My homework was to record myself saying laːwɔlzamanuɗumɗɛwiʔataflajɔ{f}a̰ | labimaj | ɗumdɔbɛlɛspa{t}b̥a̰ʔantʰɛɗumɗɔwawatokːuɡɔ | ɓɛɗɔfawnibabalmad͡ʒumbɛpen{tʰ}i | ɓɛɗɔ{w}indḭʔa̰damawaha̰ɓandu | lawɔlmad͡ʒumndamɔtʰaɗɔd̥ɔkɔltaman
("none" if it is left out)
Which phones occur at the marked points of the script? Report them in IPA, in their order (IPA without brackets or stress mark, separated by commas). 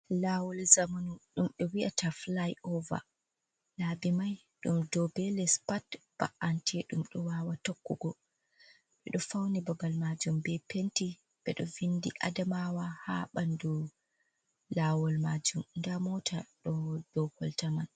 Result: v, t, t, v